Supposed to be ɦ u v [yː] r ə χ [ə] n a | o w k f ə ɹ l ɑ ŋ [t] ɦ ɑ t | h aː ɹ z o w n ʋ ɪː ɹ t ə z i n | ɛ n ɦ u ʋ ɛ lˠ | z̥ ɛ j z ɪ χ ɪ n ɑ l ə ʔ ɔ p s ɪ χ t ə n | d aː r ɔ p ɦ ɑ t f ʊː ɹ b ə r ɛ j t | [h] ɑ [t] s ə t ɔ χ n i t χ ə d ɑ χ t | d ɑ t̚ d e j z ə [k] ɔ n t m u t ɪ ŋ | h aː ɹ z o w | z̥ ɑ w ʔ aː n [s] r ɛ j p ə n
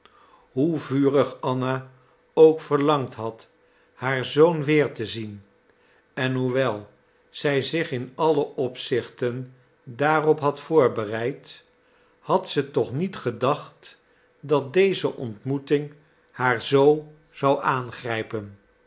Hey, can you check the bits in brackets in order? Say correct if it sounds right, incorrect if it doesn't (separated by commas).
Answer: correct, incorrect, correct, correct, correct, incorrect, incorrect